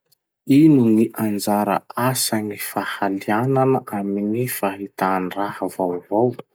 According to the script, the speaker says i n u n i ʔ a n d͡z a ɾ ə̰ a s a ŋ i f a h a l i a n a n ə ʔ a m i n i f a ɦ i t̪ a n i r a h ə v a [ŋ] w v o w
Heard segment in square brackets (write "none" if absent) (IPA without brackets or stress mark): none